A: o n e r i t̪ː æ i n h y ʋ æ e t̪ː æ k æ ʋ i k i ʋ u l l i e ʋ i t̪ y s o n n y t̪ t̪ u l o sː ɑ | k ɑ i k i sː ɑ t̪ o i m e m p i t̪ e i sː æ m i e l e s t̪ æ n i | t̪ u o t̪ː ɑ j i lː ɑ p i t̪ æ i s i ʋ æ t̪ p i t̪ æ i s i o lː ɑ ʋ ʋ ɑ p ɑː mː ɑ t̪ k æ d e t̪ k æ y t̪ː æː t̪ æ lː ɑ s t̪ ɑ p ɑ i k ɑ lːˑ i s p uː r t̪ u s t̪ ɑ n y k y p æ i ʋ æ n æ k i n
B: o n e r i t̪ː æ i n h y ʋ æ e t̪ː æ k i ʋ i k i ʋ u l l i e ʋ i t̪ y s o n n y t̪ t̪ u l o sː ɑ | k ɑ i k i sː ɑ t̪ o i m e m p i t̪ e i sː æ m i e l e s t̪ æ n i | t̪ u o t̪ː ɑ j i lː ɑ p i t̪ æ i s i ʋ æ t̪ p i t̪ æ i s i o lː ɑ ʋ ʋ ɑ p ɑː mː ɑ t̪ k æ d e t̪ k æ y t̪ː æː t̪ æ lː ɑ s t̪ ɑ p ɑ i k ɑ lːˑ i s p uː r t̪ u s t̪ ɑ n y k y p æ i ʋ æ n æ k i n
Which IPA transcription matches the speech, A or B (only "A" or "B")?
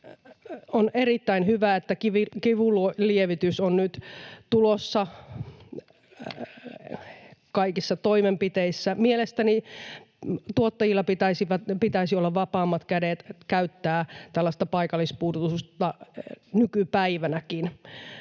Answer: B